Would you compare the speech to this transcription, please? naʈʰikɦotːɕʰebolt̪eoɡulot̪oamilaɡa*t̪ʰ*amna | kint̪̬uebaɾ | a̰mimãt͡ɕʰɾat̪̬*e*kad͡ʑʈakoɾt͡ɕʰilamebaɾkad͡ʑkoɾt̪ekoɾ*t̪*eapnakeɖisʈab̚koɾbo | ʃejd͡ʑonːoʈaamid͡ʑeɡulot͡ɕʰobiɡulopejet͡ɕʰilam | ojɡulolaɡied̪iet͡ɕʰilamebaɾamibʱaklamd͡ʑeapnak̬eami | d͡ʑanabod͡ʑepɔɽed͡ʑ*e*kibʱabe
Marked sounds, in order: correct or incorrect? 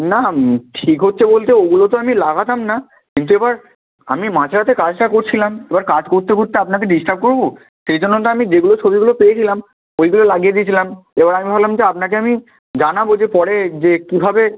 incorrect: t̪, correct, correct, correct

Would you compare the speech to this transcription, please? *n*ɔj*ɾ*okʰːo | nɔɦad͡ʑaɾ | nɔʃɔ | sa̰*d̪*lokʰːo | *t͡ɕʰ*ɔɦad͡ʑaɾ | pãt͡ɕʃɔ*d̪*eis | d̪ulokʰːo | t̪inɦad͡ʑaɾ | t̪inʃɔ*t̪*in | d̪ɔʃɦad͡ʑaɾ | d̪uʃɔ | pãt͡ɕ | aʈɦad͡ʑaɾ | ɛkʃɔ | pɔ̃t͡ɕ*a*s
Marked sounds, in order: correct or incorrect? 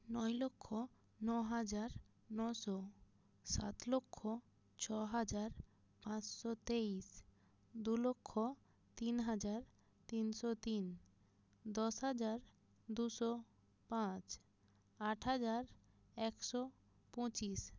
correct, incorrect: l, incorrect: t̪, correct, incorrect: t̪, correct, incorrect: i

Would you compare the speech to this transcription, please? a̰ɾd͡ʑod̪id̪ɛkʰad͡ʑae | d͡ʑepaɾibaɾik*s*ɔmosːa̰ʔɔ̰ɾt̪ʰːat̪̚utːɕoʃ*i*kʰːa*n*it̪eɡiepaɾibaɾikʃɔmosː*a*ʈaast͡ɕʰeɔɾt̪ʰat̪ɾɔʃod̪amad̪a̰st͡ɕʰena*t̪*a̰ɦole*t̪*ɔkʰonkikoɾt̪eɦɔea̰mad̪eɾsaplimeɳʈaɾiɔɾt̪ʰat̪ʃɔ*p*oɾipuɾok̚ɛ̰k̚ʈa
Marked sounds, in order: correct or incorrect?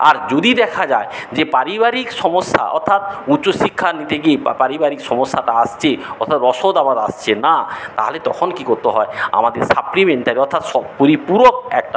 incorrect: ʃ, correct, correct, correct, correct, correct, correct

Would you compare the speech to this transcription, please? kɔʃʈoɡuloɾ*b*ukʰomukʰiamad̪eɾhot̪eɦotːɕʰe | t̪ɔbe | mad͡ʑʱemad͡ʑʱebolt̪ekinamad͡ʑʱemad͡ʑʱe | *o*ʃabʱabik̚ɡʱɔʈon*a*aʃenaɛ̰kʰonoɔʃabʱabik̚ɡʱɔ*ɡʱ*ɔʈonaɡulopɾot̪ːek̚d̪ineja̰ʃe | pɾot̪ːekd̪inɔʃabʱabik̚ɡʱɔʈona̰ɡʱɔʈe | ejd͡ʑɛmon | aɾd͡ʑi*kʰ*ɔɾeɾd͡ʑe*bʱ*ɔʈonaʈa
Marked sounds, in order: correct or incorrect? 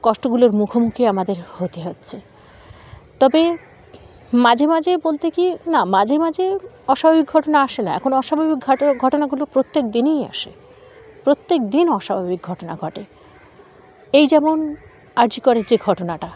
incorrect: m, incorrect: ɔ, correct, correct, incorrect: k, incorrect: ɡʱ

